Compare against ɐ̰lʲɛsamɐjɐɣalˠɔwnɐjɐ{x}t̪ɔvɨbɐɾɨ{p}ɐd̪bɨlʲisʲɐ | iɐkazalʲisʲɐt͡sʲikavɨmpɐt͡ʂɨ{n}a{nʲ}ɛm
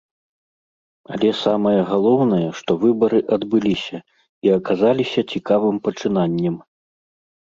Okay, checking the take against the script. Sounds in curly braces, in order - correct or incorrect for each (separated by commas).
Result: incorrect, incorrect, correct, incorrect